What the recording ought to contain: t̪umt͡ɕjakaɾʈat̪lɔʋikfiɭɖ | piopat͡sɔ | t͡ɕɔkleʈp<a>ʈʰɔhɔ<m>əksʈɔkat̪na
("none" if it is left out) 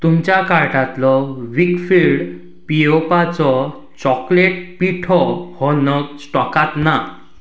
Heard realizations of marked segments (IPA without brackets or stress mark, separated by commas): i, n